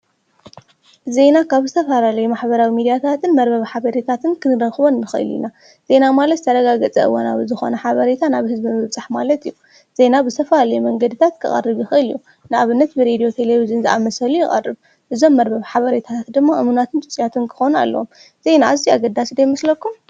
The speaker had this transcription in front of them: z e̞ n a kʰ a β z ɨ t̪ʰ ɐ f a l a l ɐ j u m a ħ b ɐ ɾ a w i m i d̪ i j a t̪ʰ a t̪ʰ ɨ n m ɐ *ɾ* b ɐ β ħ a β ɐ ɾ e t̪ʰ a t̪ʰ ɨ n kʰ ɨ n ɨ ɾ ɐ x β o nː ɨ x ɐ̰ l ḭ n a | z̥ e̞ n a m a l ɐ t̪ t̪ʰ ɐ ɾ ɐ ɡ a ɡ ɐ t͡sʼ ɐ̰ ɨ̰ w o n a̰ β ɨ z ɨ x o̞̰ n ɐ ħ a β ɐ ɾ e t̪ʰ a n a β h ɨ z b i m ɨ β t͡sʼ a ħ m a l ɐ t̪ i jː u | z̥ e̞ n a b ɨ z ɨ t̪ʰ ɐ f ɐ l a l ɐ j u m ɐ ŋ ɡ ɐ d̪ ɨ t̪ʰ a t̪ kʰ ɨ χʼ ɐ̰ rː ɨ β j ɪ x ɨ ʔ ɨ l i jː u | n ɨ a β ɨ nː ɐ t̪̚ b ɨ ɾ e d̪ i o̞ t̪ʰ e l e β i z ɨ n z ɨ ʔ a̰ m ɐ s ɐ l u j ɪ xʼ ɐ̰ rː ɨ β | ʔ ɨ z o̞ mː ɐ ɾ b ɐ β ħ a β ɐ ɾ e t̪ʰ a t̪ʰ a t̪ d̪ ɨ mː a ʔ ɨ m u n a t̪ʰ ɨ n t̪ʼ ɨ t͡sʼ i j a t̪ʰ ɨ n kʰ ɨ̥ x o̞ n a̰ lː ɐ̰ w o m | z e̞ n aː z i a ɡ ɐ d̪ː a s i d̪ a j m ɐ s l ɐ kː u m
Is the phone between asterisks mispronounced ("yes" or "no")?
no